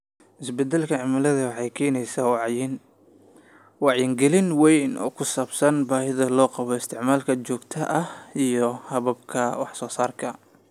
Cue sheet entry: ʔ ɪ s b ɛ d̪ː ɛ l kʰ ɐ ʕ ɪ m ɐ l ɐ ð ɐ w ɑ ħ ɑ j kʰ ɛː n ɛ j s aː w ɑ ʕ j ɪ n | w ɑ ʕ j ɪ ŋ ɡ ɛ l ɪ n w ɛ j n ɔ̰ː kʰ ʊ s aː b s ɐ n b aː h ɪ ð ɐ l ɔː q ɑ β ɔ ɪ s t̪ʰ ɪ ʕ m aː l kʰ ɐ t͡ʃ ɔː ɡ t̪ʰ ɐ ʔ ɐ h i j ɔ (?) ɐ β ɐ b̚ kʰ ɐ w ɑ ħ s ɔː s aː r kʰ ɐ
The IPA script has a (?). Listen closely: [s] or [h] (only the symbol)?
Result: h